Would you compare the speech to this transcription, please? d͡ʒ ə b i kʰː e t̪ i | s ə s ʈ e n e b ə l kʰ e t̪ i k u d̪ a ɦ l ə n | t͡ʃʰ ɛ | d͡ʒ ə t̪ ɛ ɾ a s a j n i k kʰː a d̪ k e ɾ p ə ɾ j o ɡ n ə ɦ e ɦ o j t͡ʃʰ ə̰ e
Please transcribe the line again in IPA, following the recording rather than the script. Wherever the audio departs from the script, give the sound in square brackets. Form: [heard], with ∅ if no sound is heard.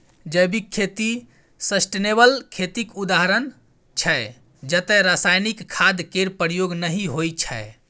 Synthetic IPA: d͡ʒ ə b i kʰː e t̪ i | s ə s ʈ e n e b ə l kʰ e t̪ i k u d̪ a ɦ [ɾ] ə n | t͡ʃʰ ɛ | d͡ʒ ə t̪ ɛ ɾ a s a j n i k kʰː a d̪ k e ɾ p ə ɾ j o ɡ n ə ɦ [i] ɦ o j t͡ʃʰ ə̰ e